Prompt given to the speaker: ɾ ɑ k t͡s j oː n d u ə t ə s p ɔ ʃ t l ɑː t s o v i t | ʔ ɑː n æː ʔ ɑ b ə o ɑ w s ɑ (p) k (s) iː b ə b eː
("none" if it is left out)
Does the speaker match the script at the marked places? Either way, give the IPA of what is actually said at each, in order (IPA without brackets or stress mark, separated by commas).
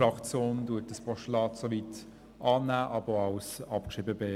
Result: p, ʃ